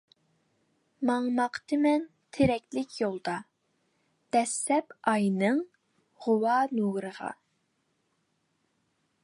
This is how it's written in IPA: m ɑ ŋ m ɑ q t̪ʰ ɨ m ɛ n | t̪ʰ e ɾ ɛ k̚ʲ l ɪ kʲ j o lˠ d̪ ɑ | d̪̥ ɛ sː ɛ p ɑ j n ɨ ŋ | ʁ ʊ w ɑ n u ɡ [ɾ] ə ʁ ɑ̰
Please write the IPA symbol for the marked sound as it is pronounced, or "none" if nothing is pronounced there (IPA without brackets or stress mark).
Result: ɾ